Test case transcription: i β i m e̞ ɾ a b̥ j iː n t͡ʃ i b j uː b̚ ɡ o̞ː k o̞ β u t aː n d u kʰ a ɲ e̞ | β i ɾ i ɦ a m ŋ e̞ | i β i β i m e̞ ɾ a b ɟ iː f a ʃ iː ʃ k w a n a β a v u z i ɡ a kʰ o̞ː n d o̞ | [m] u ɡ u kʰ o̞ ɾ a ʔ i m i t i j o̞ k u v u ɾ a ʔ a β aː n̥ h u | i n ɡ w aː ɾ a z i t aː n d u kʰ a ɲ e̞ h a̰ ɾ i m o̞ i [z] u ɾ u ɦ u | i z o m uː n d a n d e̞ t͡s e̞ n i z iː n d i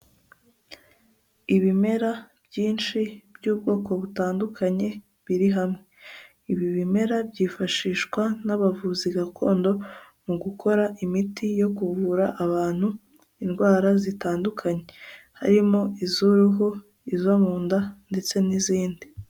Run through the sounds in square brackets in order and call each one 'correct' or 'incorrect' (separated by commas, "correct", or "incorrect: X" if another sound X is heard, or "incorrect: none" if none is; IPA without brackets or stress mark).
correct, correct